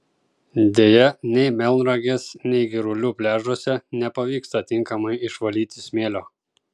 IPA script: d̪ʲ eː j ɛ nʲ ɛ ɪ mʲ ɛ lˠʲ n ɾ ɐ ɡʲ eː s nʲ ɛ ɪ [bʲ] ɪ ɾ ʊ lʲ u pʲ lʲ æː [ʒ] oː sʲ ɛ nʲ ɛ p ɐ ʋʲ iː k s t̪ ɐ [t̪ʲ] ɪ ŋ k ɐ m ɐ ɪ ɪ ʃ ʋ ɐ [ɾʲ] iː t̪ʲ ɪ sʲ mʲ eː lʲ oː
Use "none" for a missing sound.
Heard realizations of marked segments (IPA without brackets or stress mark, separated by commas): ɡʲ, ʒ, t̪ʲ, lʲ